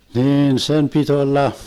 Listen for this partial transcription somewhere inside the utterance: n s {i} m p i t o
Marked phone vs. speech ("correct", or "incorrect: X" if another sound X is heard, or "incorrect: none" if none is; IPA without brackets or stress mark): incorrect: e